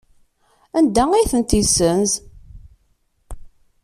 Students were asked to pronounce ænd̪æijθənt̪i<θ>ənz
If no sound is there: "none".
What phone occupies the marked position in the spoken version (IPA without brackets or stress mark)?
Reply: s